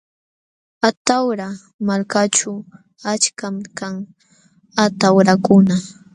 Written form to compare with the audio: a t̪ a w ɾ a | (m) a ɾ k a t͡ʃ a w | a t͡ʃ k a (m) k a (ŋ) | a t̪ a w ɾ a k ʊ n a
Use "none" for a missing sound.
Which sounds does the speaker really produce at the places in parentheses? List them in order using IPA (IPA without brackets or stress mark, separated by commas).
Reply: m, m, ŋ